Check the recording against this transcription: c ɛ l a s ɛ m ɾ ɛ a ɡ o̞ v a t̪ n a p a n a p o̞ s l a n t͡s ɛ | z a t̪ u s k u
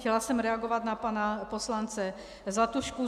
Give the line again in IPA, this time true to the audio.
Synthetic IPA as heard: c ɛ l a s ɛ m ɾ ɛ a ɡ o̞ v a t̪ n a p a n a p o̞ s l a n t͡s ɛ | z a t̪ u ʃ k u